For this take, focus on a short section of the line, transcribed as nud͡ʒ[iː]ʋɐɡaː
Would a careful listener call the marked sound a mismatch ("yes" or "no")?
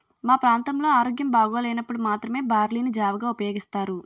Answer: yes